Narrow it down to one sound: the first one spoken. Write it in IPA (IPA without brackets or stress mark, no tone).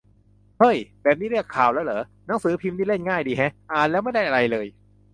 h